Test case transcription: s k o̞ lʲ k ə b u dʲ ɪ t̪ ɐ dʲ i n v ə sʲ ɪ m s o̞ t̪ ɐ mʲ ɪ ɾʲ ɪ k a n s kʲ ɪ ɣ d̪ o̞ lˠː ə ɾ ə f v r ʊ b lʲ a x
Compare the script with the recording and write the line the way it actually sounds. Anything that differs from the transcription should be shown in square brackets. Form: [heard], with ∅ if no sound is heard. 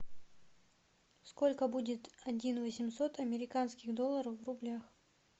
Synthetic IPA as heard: s k o̞ lʲ k ə b u dʲ ɪ t̪ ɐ dʲ i n v ə sʲ ɪ m s o̞ t̪ ɐ mʲ ɪ ɾʲ ɪ k a n s kʲ ɪ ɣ d̪ o̞ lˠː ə ɾ ə f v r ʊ b lʲ a x

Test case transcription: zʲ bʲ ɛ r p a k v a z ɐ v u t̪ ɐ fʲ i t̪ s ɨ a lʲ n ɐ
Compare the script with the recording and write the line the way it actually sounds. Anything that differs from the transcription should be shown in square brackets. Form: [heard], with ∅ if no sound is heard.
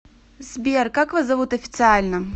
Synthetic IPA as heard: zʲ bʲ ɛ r [k] a k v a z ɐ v u t̪ ɐ fʲ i t̪ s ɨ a lʲ n ɐ

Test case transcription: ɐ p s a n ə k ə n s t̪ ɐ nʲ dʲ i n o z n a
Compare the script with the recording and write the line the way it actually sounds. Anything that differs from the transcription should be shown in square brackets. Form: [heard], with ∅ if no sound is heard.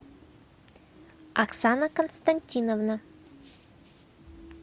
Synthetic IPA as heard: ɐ [k] s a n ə k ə n s t̪ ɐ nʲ [tʲ] i n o [v] n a

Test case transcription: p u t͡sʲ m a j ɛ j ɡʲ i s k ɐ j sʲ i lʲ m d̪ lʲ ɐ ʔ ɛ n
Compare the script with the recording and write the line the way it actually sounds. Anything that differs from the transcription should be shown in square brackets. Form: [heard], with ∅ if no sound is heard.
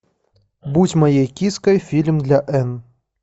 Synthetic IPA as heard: [b] u t͡sʲ m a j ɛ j [kʲ] i s k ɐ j [fʲ] i lʲ m d̪ lʲ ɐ ʔ ɛ n

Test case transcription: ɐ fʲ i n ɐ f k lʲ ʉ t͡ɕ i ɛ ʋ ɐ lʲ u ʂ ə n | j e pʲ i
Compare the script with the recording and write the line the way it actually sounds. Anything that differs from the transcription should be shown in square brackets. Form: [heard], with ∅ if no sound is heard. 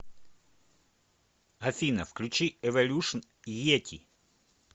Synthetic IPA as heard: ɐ fʲ i n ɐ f k lʲ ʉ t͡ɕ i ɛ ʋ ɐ lʲ u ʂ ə n | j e [tʲ] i

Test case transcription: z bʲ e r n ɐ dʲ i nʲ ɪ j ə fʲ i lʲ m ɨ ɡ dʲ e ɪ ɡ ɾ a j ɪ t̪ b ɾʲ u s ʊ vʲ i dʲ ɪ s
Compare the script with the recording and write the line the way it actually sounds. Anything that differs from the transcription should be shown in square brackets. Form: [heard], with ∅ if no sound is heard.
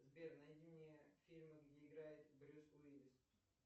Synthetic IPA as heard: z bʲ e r n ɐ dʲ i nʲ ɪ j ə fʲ i lʲ m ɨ ɡ dʲ e ɪ ɡ ɾ a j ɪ t̪ b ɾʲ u s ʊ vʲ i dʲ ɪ s

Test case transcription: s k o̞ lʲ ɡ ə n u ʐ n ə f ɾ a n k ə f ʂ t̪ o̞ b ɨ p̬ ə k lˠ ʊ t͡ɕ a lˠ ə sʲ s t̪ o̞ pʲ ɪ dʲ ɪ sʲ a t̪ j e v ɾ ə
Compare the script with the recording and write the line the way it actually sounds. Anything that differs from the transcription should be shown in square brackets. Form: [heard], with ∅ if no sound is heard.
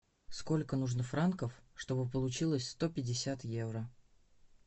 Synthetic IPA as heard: s k o̞ lʲ [k] ə n u ʐ n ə f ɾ a n k ə f ʂ t̪ o̞ b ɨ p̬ ə [∅] lˠ ʊ t͡ɕ [i] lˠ ə sʲ s t̪ o̞ pʲ ɪ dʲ ɪ sʲ a t̪ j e v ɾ ə

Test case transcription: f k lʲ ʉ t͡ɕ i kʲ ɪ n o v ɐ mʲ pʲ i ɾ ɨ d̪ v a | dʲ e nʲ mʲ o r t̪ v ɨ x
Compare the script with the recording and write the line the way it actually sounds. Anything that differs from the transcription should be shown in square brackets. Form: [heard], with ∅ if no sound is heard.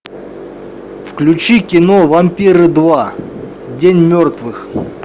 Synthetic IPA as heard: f k lʲ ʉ t͡ɕ i kʲ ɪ n o v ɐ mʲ pʲ i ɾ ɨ d̪ v a | dʲ e nʲ mʲ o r t̪ v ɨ x

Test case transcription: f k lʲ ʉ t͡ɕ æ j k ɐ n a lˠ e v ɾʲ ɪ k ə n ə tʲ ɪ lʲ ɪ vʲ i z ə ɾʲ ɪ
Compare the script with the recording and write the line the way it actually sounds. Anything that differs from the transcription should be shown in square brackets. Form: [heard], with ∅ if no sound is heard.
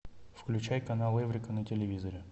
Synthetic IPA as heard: f k lʲ ʉ t͡ɕ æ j k ɐ n a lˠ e v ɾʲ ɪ k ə n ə tʲ ɪ lʲ ɪ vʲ i z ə ɾʲ ɪ

